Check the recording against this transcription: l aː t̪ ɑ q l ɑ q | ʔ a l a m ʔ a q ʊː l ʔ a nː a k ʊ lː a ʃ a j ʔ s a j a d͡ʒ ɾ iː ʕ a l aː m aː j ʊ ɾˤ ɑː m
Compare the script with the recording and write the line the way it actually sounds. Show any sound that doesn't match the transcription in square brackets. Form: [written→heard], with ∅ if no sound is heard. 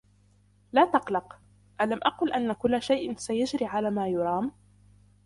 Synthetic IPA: l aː t̪ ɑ q l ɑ q | ʔ a l a m ʔ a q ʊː l ʔ a nː a k ʊ lː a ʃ a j ʔ s a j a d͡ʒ ɾ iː ʕ a l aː m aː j ʊ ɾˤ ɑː m